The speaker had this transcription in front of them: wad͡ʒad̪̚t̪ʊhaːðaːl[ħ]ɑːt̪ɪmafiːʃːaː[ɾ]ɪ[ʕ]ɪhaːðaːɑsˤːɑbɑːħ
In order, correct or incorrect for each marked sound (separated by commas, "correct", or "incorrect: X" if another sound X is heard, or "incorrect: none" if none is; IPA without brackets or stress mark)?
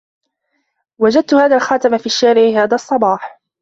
incorrect: x, correct, correct